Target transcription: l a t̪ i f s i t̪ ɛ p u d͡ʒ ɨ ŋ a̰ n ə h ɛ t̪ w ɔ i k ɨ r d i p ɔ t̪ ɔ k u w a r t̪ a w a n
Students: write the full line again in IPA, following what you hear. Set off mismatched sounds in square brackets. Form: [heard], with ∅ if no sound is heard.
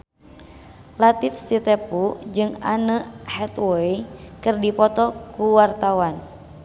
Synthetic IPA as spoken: l a t̪ i f s i t̪ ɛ p u d͡ʒ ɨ ŋ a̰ n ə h ɛ t̪ w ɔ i k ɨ r d i p ɔ t̪ ɔ k u w a r t̪ a w a n